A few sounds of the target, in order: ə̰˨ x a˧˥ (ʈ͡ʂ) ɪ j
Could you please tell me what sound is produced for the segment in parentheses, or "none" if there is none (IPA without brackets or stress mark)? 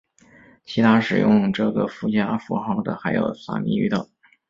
none